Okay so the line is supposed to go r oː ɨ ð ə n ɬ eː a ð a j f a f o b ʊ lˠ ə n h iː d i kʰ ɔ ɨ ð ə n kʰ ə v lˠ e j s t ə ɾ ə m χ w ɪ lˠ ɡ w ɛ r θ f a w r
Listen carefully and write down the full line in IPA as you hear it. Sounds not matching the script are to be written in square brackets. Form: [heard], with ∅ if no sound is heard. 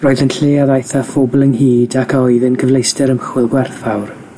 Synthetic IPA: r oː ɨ ð ə n ɬ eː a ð a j [θ] a f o b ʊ lˠ ə n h iː d [a] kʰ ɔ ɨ ð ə n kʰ ə v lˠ e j s t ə ɾ ə m χ w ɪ lˠ ɡ w ɛ r θ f a w r